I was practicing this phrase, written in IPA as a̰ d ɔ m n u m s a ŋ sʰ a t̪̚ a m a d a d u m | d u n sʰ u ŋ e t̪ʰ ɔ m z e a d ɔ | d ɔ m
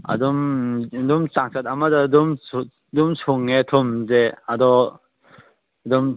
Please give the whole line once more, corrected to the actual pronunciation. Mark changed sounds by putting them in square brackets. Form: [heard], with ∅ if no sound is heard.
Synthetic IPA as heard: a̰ d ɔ m [d] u m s a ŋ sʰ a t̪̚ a m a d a d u m | d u [m] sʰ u ŋ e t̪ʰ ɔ m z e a d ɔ | d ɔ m